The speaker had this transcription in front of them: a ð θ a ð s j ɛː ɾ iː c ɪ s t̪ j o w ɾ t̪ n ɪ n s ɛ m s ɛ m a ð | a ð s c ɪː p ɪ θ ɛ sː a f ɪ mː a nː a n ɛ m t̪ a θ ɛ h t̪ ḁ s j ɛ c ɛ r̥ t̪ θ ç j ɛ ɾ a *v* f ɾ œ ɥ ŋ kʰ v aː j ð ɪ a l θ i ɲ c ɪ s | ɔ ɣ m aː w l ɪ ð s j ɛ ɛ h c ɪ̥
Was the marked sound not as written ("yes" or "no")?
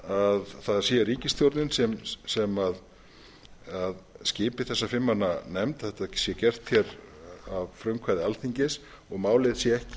no